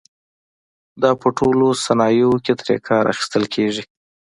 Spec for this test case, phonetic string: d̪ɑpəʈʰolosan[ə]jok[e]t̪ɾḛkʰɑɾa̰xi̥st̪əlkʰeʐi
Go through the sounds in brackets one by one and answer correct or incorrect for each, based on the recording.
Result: incorrect, correct

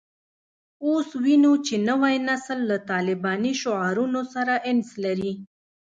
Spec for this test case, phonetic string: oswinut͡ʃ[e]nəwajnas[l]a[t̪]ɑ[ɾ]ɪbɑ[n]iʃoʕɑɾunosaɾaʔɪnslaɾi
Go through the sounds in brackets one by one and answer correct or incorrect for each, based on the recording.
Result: correct, incorrect, correct, incorrect, correct

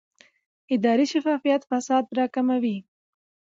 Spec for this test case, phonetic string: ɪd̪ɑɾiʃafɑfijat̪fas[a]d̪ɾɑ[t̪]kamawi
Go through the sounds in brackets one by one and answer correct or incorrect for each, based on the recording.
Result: incorrect, incorrect

